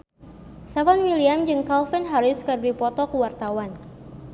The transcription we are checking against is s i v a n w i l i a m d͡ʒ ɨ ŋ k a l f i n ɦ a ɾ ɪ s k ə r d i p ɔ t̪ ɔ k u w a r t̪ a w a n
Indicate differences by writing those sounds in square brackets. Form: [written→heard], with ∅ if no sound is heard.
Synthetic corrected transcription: s [i→a] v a n w i l i a m d͡ʒ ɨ ŋ k a l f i n ɦ a ɾ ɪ s k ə r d i p ɔ t̪ ɔ k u w a r t̪ a w a n